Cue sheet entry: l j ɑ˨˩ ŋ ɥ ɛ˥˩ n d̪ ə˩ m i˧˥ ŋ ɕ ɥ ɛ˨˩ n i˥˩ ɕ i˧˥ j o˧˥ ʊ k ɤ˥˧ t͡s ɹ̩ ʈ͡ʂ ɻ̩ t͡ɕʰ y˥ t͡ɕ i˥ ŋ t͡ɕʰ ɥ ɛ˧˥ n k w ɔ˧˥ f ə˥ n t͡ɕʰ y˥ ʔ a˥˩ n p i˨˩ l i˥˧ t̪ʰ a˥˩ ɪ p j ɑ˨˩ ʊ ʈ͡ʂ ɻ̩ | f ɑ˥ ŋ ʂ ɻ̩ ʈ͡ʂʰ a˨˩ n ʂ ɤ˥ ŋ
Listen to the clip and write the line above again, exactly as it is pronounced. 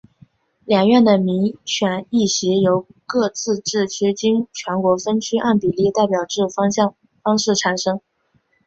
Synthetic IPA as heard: l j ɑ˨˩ ŋ ɥ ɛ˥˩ n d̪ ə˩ m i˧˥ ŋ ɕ ɥ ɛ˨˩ n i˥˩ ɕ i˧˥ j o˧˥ ʊ k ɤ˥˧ t͡s ɹ̩ ʈ͡ʂ ɻ̩ t͡ɕʰ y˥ t͡ɕ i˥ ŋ t͡ɕʰ ɥ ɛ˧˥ n k w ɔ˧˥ f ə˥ n t͡ɕʰ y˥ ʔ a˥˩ n p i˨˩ l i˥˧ t̪ a˥˩ ɪ p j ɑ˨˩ ʊ ʈ͡ʂ ɻ̩ | f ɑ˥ ŋ ʂ ɻ̩ ʈ͡ʂʰ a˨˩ n ʂ ɤ˥ ŋ